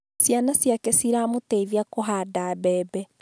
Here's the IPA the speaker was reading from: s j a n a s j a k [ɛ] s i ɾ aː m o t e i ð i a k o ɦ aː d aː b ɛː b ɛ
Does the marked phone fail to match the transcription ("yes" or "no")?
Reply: no